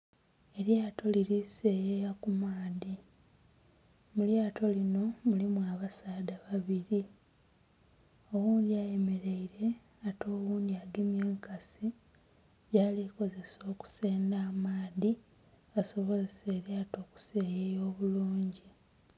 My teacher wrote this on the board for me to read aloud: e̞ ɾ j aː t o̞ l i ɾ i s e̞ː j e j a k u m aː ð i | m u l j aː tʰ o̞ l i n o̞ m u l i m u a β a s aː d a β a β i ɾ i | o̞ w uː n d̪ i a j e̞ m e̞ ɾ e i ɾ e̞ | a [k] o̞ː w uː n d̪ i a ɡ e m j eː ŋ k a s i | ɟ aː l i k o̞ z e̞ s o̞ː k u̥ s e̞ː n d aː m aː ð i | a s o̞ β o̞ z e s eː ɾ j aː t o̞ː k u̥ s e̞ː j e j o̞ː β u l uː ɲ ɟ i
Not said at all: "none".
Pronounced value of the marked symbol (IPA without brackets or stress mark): t